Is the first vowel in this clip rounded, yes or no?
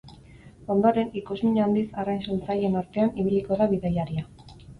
yes